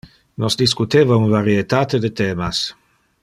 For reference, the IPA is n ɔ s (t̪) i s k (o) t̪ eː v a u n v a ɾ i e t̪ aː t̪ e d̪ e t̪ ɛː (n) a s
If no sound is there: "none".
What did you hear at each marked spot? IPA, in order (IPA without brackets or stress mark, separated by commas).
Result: d̪, u, m